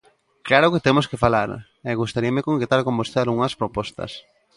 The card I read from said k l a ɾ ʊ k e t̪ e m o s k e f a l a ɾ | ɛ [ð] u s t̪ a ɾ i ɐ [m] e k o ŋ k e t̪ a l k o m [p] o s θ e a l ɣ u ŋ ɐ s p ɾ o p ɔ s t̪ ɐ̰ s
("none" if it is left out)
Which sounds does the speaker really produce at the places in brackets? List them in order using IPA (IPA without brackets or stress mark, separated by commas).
ɣ, m, b